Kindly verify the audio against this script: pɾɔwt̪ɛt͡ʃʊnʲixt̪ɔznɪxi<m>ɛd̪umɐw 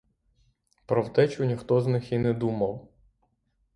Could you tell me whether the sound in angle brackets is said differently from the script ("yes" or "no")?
yes